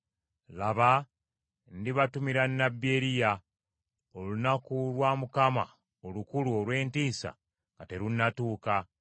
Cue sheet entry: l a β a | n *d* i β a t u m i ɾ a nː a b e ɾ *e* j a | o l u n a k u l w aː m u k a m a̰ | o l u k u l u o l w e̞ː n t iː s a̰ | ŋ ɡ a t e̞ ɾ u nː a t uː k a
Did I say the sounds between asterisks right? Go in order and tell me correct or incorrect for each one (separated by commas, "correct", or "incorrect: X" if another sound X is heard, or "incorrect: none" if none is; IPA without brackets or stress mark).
correct, incorrect: i